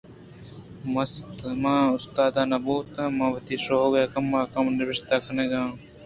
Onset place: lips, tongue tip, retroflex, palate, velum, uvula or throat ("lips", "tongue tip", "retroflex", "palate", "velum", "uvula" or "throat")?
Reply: lips